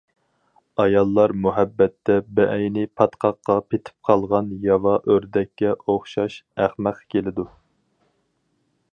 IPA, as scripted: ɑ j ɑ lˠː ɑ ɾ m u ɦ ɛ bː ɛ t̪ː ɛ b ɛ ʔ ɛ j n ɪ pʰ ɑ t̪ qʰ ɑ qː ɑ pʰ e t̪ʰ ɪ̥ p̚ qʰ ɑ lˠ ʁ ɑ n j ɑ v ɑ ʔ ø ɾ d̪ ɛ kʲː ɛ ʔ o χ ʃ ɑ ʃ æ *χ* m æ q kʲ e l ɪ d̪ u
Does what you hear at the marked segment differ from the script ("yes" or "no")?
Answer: no